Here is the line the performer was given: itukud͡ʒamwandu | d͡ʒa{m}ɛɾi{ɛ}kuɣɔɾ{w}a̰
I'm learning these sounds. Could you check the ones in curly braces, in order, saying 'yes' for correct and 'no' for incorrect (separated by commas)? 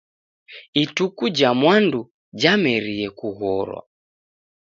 yes, yes, yes